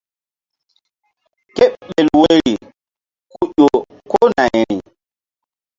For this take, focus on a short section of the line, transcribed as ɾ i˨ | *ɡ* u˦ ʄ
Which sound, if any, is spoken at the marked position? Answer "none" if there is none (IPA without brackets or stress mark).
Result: k